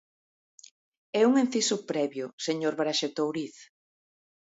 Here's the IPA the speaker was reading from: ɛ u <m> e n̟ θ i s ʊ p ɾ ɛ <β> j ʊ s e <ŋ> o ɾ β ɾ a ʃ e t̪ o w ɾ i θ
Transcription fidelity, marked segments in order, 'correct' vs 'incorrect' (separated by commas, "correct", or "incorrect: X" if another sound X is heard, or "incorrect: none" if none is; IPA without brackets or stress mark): incorrect: ŋ, correct, incorrect: ɲ